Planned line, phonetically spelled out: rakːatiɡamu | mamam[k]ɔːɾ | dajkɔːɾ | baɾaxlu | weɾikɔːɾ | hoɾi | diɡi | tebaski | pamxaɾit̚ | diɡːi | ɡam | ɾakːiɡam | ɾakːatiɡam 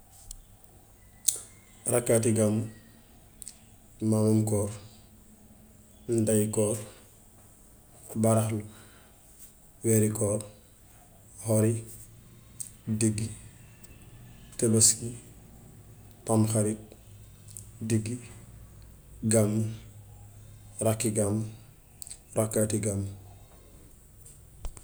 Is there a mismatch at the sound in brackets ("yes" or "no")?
no